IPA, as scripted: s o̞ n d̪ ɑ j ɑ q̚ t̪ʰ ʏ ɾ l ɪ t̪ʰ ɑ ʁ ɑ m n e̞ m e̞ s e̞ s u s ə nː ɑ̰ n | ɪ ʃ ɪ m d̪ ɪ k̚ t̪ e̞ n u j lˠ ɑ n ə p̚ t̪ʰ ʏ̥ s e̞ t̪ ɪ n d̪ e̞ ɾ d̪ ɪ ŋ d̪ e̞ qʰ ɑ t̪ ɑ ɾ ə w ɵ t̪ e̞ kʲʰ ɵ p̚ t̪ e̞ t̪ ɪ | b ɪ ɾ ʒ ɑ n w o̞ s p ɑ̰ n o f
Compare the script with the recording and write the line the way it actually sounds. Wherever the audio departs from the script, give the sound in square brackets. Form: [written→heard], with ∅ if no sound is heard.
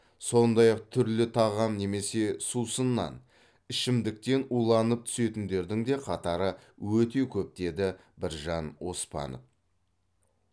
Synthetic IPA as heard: s o̞ n d̪ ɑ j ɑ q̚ t̪ʰ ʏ ɾ l ɪ t̪ʰ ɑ ʁ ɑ m n e̞ m e̞ s e̞ s u s ə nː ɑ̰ n | ɪ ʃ ɪ m d̪ ɪ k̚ t̪ e̞ n u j lˠ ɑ n ə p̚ t̪ʰ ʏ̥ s e̞ t̪ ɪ n d̪ e̞ ɾ d̪ ɪ ŋ d̪ e̞ qʰ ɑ t̪ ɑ ɾ ə w ɵ t̪ e̞ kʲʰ ɵ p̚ t̪ e̞ [t̪→d̪] ɪ | b ɪ ɾ ʒ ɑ n w o̞ s p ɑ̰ n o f